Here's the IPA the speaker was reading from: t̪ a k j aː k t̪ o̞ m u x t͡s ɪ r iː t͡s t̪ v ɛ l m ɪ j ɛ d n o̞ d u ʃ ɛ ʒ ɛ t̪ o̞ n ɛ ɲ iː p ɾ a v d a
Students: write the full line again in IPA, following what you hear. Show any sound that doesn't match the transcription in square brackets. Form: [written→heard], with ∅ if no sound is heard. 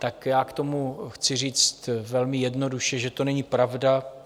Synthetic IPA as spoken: t̪ a k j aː k t̪ o̞ m u x t͡s ɪ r iː t͡s t̪ v ɛ l m ɪ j ɛ d n o̞ d u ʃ ɛ ʒ ɛ t̪ o̞ n ɛ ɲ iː p ɾ a v d a